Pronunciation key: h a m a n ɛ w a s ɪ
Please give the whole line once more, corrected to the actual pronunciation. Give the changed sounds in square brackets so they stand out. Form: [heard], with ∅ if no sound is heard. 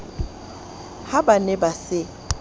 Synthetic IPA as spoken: h a [b] a n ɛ [b] a s ɪ